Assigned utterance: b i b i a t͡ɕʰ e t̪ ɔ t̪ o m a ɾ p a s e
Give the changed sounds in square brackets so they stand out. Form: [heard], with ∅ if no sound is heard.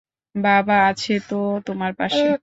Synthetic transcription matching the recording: b [a] b [a] a t͡ɕʰ e t̪ [o] t̪ o m a ɾ p a [ʃ] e